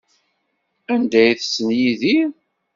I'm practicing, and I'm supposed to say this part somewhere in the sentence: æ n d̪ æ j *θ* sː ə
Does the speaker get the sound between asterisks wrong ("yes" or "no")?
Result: no